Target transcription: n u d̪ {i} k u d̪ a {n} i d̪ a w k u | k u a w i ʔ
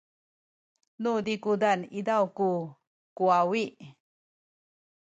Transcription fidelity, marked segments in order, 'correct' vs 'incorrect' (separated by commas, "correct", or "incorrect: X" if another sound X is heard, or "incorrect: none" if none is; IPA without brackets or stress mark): correct, correct